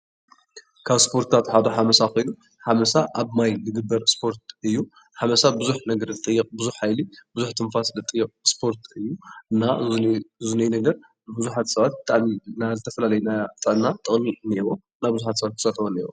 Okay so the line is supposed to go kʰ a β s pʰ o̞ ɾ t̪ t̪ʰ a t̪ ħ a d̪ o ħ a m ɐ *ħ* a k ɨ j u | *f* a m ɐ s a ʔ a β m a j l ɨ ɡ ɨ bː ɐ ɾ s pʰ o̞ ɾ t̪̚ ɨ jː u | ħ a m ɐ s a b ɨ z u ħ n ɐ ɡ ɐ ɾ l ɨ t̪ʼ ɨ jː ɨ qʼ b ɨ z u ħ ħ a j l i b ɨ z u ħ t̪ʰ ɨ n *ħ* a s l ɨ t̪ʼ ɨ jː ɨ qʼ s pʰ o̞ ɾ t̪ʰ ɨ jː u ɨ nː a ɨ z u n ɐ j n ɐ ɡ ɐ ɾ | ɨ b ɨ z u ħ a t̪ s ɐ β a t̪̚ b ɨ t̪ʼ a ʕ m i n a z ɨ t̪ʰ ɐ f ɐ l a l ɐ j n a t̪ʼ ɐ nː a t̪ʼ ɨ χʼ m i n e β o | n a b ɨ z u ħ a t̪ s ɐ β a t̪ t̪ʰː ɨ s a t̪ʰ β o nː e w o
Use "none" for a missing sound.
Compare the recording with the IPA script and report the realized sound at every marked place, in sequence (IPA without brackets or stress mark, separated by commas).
s, ħ, f